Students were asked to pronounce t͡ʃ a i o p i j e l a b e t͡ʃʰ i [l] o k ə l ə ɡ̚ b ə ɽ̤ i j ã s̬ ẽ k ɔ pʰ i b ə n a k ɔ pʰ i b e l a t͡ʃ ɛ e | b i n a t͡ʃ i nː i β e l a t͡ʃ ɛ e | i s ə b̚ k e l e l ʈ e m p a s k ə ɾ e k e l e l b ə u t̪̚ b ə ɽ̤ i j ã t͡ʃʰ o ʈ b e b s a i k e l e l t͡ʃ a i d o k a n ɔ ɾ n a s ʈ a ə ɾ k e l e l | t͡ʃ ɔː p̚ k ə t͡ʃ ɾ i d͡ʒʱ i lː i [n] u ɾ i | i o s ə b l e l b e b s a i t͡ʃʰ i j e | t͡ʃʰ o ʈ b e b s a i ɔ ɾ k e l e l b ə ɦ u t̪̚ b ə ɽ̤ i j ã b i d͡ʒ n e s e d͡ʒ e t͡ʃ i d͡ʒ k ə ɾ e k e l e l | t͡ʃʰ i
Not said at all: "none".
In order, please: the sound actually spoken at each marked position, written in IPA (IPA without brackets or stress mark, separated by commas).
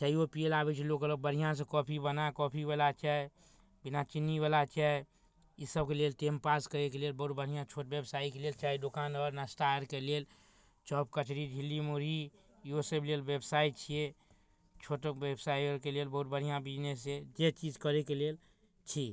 l, m